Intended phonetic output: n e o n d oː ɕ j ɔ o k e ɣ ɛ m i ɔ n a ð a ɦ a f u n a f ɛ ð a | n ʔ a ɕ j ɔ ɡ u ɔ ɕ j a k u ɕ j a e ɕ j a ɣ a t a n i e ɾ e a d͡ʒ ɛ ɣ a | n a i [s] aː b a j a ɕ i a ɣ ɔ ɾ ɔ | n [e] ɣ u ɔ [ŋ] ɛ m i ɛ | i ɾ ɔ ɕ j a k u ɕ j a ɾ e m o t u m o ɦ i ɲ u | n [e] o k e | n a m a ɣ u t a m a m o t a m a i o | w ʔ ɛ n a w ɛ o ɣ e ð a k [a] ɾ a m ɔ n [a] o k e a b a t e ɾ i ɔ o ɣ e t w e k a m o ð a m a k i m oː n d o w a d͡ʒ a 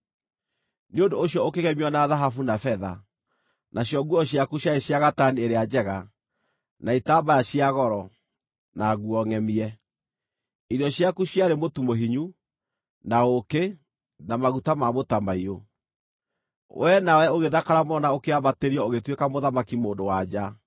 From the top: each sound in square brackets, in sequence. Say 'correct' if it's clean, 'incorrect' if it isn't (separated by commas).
incorrect, incorrect, correct, incorrect, correct, correct